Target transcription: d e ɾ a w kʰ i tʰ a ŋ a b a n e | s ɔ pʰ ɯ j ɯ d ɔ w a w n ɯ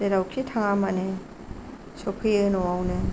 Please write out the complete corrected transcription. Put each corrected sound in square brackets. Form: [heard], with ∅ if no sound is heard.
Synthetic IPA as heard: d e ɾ a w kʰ i tʰ a ŋ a [m] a n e | s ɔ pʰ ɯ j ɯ [n] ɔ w a w n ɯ